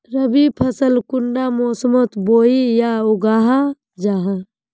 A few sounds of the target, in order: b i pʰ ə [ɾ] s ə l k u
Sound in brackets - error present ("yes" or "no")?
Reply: yes